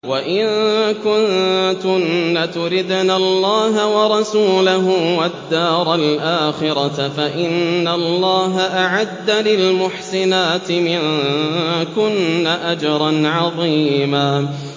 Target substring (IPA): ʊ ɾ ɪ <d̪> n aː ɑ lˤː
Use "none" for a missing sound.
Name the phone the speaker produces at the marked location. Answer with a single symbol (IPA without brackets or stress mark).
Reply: d̪